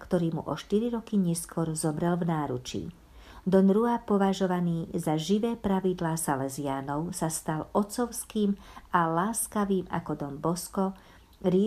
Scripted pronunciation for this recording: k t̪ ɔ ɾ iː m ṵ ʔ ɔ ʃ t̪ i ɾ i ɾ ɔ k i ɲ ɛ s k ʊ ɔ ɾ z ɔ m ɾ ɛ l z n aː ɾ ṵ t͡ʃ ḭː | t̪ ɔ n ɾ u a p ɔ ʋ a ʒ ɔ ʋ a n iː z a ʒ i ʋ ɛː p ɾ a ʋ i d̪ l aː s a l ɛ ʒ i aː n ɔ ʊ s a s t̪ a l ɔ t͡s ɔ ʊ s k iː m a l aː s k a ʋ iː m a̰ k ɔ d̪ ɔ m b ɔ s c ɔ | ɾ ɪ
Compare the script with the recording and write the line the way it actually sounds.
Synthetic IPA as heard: k t̪ ɔ ɾ iː m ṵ ʔ ɔ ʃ t̪ i ɾ i ɾ ɔ k i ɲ ɛ s k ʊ ɔ ɾ z ɔ m ɾ ɛ l v n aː ɾ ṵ t͡ʃ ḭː | d̪ ɔ n ɾ u a p ɔ ʋ a ʒ ɔ ʋ a n iː z a ʒ i ʋ ɛː p ɾ a ʋ i d̪ l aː s a l ɛ z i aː n ɔ ʊ s a s t̪ a l ɔ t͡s ɔ ʊ s k iː m a l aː s k a ʋ iː m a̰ k ɔ d̪ ɔ m b ɔ s k ɔ | ɾ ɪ